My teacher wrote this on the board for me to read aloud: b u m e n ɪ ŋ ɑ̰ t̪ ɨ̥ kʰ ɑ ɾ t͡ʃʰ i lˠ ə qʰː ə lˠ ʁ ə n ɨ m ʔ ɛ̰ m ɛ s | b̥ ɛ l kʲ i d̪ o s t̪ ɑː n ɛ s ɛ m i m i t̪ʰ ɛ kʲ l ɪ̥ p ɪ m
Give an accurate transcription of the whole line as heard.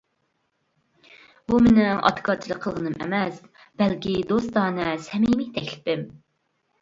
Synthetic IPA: b u m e n ɪ ŋ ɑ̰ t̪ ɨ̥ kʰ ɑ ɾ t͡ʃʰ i lˠ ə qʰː ə lˠ ʁ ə n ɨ m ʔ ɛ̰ m ɛ s | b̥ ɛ l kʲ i d̪ o s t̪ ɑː n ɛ s ɛ m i m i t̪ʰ ɛ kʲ l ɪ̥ p ɪ m